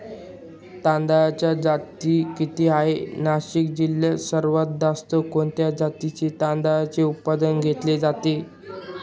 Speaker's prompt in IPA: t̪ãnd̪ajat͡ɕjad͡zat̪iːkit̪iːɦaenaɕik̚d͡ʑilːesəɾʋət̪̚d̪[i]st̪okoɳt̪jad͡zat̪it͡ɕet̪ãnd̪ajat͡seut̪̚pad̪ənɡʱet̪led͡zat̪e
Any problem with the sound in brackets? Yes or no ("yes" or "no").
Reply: yes